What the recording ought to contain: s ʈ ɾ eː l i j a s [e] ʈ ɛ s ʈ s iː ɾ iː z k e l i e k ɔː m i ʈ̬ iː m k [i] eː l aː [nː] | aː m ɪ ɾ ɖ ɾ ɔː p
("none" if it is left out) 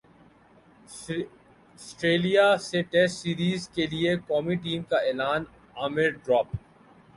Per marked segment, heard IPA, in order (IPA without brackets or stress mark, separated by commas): e, a, n